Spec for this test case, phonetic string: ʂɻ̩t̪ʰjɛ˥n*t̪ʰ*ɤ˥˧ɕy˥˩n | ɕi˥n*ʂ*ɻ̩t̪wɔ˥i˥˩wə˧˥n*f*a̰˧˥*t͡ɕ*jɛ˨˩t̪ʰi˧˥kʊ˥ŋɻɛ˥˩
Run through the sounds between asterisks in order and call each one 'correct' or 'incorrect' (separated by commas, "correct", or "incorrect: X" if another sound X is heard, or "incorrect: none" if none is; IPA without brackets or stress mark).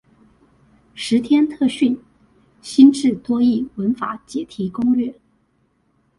correct, incorrect: ʈ͡ʂ, correct, correct